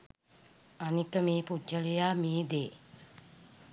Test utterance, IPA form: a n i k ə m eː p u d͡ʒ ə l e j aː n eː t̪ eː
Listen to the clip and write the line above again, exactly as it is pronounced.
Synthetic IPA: a n i k ə m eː p u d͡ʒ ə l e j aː m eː d̪ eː

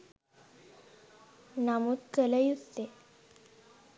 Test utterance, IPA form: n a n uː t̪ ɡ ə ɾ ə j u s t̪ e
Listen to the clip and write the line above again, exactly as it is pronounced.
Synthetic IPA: n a m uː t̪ k ə l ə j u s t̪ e

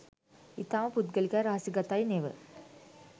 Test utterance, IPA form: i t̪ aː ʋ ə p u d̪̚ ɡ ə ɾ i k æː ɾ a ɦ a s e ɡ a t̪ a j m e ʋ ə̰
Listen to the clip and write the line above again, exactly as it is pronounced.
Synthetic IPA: i t̪ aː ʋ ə p u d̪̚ ɡ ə l i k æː ɾ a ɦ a s i ɡ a t̪ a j n e ʋ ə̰

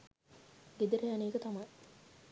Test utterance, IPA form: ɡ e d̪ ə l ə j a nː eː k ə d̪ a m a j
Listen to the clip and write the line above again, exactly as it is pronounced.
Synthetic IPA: ɡ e d̪ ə ɾ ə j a n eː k ə t̪ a m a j

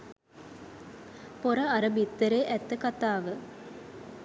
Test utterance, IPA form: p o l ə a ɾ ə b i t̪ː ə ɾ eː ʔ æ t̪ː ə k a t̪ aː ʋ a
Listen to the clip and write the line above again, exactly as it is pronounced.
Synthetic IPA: p o ɾ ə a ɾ ə b i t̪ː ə ɾ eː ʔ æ t̪ː ə k a t̪ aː ʋ ə

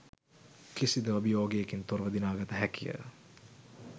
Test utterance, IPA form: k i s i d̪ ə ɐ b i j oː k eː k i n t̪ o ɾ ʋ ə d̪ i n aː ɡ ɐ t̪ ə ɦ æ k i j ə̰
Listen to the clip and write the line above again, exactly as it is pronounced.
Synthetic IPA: k i s i d̪ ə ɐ b i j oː ɡ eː k i n t̪ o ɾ ʋ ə d̪ i n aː ɡ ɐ t̪ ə ɦ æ k i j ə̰

